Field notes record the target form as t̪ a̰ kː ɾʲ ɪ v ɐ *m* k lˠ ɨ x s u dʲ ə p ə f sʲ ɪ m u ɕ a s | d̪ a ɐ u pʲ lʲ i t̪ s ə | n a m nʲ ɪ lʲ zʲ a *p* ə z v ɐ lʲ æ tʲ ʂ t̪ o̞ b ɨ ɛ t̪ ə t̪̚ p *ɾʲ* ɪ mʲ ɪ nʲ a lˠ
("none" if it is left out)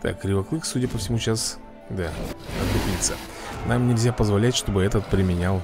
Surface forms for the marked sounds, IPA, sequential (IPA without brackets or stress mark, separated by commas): none, p, ɾʲ